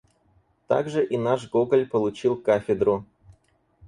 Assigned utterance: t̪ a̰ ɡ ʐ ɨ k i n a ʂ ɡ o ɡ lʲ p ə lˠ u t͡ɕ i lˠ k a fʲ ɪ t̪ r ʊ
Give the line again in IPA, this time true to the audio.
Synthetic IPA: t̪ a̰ ɡ ʐ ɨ ʔ i n a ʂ ɡ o ɡ lʲ p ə lˠ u t͡ɕ i lˠ k a fʲ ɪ d̪ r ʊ